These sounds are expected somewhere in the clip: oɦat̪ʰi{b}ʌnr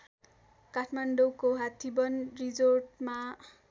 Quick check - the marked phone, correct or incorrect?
correct